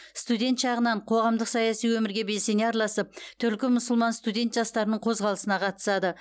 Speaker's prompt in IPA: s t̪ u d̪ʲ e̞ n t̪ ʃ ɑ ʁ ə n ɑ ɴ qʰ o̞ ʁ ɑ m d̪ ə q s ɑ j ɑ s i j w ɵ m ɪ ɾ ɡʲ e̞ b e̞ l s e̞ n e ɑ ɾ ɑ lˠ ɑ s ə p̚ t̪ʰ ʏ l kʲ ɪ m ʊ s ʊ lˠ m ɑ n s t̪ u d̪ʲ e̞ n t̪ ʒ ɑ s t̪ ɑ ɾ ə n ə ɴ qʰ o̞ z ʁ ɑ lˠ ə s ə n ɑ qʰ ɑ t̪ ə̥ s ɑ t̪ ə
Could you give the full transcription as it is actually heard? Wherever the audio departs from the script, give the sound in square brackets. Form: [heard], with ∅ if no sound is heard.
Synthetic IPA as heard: s t̪ u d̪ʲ e̞ n t̪ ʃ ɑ ʁ ə n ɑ ɴ qʰ o̞ ʁ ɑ m d̪ ə q s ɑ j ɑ s i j w ɵ m ɪ ɾ ɡʲ e̞ b e̞ l s e̞ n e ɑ ɾ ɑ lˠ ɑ s ə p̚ t̪ʰ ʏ l kʲ ɪ m ʊ s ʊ lˠ m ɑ n s t̪ u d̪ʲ e̞ n t̪ ʒ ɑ s t̪ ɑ ɾ ə n ə ɴ qʰ o̞ z ʁ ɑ lˠ ə s ə n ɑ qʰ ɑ t̪ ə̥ s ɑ [d̪] ə